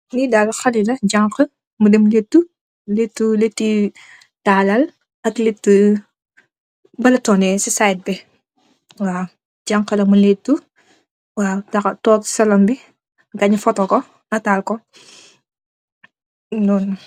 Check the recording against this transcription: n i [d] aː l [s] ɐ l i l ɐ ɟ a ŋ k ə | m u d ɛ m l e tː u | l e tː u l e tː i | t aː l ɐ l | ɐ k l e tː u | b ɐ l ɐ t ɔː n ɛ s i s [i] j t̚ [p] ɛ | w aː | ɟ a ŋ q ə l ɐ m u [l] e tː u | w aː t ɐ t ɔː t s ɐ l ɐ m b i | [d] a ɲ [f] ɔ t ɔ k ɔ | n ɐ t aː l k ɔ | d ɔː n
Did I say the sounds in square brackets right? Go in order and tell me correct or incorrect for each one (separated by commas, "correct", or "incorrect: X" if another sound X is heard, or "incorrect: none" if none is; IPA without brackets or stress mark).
correct, incorrect: x, incorrect: a, incorrect: b, correct, incorrect: ɡ, correct